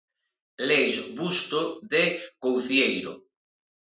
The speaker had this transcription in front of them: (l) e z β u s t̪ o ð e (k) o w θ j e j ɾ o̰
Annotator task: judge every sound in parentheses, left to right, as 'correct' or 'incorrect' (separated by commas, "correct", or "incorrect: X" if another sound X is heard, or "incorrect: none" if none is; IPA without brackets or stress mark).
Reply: correct, correct